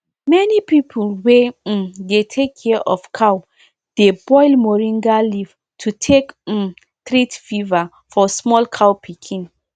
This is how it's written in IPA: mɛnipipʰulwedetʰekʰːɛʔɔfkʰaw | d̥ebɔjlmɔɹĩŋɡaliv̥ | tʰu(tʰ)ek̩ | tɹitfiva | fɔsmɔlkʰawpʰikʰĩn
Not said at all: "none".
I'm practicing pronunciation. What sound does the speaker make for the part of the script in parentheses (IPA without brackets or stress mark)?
tʰ